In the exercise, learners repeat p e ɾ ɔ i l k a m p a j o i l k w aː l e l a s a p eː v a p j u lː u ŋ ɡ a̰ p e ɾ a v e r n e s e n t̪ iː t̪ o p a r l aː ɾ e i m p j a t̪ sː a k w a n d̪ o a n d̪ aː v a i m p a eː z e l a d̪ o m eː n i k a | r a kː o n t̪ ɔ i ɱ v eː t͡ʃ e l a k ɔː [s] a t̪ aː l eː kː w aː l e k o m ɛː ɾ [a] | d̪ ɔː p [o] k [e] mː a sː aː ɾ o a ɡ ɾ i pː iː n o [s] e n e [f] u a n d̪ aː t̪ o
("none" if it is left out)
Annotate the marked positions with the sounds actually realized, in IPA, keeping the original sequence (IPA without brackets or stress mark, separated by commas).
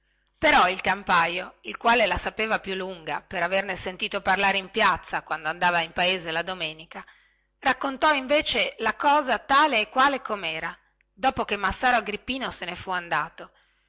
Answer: z, a, o, e, s, f